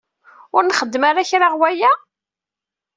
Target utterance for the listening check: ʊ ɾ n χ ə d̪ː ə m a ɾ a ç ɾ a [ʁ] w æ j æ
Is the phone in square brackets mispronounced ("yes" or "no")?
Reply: no